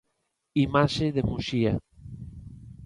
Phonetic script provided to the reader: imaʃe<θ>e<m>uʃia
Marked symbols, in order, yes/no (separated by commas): no, yes